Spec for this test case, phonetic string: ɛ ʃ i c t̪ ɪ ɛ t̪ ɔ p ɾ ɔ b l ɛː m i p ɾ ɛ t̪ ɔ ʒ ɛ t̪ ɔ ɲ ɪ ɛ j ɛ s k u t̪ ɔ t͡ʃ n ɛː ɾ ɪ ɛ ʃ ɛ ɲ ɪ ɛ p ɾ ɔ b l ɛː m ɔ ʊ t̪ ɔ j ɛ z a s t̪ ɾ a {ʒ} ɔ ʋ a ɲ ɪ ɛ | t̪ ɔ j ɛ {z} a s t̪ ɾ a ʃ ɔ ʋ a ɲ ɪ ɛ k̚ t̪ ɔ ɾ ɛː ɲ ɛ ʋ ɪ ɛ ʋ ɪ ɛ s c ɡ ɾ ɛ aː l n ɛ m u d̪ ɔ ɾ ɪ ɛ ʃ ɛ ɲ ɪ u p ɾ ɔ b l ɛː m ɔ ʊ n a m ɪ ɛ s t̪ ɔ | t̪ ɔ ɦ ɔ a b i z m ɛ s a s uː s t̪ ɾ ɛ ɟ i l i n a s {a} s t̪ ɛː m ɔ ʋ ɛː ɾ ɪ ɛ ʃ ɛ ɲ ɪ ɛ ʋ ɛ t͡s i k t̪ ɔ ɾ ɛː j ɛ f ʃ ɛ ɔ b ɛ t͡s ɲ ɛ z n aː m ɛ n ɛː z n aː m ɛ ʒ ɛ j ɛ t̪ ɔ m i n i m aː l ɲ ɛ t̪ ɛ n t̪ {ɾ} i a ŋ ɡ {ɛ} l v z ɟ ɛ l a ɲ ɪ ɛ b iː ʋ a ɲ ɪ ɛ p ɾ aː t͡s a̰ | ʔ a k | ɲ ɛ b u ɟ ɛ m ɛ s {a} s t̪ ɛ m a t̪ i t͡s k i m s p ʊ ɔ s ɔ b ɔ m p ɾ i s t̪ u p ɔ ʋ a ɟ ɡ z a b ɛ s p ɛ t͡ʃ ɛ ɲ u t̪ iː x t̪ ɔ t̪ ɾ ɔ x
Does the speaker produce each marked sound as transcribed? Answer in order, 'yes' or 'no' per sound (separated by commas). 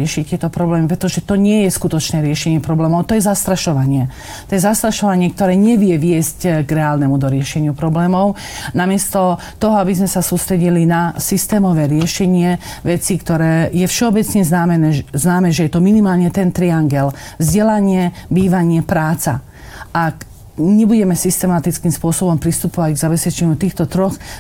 no, yes, no, yes, yes, no